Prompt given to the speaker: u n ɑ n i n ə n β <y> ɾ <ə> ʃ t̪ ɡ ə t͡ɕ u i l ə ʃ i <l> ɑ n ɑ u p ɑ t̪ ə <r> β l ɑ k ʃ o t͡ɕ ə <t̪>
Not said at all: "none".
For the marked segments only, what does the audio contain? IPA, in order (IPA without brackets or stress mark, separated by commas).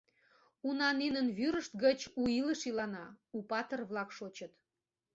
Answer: y, ə, l, r, t̪